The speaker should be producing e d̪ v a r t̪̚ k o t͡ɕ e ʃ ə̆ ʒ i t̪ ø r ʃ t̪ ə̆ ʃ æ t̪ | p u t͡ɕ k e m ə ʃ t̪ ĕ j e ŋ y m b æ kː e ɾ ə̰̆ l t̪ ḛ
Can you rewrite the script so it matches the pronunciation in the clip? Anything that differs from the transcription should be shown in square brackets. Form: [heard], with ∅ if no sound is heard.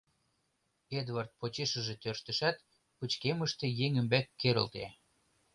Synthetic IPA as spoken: e d̪ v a r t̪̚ [p] o t͡ɕ e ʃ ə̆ ʒ [e] t̪ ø r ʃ t̪ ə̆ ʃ æ t̪ | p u t͡ɕ k e m ə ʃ t̪ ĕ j e ŋ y m b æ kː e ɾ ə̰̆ l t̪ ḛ

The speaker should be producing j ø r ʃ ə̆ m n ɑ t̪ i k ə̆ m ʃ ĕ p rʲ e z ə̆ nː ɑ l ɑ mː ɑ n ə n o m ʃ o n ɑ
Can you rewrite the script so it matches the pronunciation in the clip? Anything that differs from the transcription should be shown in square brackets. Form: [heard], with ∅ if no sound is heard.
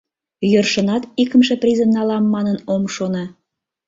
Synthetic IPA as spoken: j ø r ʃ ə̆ [∅] n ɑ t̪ i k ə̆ m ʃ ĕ p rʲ [i] z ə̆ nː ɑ l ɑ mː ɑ n ə n o m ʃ o n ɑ

